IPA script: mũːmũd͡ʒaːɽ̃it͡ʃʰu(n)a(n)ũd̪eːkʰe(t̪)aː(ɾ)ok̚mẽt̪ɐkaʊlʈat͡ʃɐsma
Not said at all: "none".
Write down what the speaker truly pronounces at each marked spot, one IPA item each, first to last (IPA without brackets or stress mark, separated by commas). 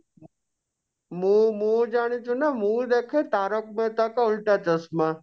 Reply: n, m, t̪, ɾ